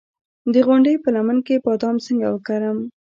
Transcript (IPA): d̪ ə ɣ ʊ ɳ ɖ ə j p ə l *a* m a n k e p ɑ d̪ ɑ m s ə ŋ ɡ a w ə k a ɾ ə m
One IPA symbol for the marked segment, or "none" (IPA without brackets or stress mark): a